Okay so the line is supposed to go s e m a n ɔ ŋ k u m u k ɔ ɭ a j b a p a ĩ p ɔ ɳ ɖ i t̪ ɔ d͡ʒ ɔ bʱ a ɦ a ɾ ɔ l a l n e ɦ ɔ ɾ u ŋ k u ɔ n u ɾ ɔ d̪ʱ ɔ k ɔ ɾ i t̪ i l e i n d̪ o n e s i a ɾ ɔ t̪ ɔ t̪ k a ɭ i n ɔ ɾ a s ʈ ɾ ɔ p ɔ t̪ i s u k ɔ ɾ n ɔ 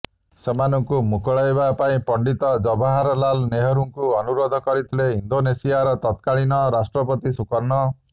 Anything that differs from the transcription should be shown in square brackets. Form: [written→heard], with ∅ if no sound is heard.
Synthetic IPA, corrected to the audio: s e m a n ɔ ŋ k u m u k ɔ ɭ a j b a p a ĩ p ɔ ɳ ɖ i t̪ ɔ d͡ʒ ɔ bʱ a ɦ a ɾ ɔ l a l n e ɦ ɔ ɾ u ŋ k u ɔ n u ɾ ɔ d̪ʱ ɔ k ɔ ɾ i [t̪→t̪ʰ] i l e i n d̪ o n e s i a ɾ ɔ t̪ ɔ t̪ k a ɭ i n ɔ ɾ a s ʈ ɾ ɔ p ɔ t̪ i s u k ɔ ɾ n ɔ